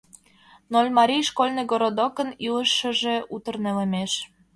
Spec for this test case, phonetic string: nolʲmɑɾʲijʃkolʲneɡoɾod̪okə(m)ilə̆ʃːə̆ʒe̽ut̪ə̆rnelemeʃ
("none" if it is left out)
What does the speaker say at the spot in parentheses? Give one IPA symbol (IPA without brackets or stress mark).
n